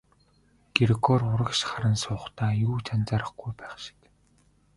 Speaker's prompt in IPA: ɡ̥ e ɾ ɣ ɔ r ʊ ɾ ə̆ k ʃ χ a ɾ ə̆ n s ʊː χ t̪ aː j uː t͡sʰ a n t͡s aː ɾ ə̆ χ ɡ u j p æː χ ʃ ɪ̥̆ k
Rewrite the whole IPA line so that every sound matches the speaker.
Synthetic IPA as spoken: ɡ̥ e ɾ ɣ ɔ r ʊ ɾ ə̆ k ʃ χ a ɾ ə̆ n s ʊː χ t̪ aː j uː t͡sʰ a n t͡s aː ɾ ə̆ χ ɡ u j p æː χ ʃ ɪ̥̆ k